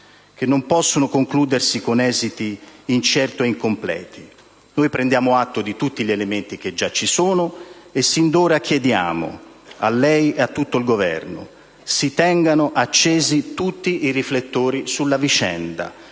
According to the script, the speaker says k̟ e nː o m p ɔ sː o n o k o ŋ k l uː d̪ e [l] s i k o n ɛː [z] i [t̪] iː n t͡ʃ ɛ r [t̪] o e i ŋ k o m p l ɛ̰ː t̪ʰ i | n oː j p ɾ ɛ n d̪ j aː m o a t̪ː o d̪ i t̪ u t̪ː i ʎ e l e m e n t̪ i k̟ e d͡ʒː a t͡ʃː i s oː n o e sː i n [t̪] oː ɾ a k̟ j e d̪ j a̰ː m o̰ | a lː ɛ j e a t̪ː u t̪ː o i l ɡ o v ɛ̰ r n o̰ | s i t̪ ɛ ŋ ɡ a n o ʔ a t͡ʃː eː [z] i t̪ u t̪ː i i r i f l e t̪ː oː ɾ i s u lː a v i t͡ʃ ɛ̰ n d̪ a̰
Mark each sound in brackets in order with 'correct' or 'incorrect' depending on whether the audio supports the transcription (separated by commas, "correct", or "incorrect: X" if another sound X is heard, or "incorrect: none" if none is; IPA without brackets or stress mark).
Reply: incorrect: r, correct, correct, correct, incorrect: d̪, correct